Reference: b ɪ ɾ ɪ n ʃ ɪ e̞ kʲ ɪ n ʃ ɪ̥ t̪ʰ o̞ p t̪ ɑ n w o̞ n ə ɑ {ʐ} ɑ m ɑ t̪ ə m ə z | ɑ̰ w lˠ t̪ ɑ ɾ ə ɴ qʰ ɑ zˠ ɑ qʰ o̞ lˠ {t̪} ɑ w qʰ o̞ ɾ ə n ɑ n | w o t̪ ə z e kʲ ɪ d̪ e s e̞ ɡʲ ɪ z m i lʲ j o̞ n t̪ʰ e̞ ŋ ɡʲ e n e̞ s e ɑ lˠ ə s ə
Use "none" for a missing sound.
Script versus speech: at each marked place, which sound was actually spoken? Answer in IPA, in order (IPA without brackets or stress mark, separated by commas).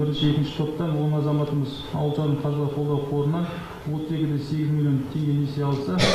z, d̪